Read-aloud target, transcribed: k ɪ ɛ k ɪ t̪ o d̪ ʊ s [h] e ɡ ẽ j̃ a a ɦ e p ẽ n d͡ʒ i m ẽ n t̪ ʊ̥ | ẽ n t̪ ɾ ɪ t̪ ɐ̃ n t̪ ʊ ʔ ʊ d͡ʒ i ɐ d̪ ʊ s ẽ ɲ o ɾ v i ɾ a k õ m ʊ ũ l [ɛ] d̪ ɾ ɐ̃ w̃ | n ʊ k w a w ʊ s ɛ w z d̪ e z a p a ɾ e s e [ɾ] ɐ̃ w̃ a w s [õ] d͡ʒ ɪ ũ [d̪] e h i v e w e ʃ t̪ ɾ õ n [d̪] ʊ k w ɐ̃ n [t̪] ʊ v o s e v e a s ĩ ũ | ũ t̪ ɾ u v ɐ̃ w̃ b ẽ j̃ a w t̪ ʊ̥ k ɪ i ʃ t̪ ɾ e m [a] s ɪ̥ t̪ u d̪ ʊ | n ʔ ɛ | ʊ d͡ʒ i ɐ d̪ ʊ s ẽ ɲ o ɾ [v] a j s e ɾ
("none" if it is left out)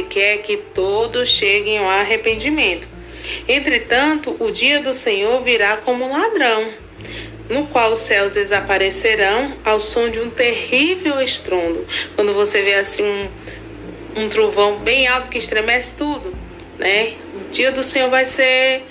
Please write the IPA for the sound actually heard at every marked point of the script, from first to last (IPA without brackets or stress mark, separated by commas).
ʃ, a, ɾ, õ, t̪, d̪, d̪, ɛ, v